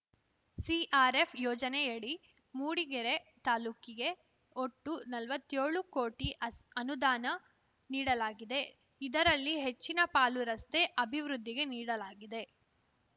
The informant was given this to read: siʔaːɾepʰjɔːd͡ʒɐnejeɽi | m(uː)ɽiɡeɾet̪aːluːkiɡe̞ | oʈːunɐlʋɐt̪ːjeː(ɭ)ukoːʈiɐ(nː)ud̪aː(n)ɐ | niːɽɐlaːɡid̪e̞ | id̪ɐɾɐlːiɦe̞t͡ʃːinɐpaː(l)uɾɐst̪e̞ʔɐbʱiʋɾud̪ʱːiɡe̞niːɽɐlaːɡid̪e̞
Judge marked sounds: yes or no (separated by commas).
yes, yes, no, yes, yes